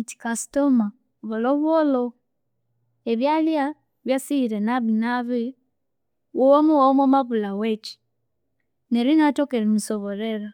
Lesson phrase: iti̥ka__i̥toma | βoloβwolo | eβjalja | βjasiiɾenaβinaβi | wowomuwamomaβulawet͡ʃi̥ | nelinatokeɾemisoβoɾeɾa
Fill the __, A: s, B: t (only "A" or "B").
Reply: A